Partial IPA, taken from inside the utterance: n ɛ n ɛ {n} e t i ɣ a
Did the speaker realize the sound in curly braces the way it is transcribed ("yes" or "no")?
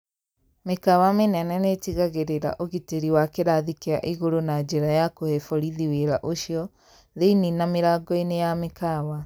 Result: yes